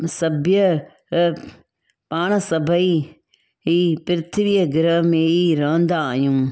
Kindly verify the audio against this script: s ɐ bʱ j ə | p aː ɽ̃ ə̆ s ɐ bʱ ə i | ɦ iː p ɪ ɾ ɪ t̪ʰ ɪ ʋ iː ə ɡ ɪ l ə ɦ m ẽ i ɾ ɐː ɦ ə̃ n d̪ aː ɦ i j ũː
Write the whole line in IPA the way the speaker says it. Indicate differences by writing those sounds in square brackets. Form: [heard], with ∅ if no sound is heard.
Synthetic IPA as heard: s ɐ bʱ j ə | p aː ɽ̃ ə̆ s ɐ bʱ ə i | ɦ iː p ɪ ɾ ɪ t̪ʰ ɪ ʋ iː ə ɡ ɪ [ɾ] ə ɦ m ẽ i ɾ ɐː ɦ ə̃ n d̪ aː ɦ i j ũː